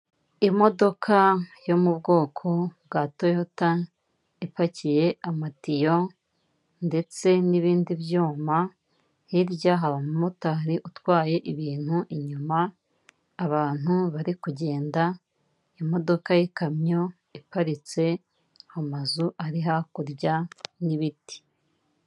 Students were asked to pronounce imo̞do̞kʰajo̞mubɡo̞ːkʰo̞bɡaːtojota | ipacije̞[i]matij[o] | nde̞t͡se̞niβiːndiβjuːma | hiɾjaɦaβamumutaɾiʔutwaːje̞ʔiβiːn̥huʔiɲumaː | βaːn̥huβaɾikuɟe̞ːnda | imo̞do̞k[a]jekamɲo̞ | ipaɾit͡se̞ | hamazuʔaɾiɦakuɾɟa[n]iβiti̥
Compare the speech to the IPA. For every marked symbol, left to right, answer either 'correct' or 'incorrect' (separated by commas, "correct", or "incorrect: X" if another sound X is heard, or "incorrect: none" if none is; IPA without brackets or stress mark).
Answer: incorrect: a, correct, correct, correct